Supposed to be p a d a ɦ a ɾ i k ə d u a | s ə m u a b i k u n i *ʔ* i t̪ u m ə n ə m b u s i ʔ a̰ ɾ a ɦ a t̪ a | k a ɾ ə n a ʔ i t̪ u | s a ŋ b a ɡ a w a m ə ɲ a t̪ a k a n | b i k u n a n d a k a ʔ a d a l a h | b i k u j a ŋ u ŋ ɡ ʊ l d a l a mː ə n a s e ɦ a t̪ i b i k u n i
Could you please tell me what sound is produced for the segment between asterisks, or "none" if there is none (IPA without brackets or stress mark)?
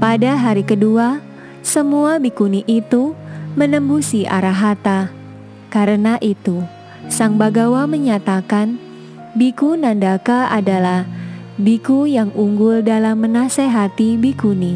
ʔ